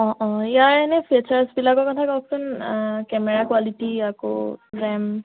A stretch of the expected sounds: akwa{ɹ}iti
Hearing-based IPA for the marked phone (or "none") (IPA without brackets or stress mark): l